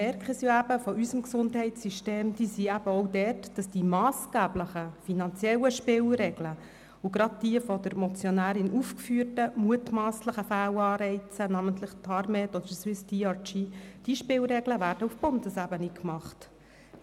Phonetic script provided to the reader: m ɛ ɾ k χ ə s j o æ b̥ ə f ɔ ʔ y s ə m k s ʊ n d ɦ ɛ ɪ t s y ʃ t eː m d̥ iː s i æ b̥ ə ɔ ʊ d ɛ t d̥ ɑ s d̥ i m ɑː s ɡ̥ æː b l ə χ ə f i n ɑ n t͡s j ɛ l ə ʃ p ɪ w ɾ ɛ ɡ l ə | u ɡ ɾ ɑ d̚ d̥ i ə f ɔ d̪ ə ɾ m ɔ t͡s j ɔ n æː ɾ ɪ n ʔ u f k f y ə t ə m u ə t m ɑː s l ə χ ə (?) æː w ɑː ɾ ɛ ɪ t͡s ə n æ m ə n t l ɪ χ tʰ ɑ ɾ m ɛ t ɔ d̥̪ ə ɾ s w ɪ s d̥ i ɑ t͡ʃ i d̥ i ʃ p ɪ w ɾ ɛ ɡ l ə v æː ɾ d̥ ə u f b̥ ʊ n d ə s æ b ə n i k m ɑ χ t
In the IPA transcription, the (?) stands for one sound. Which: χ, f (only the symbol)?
f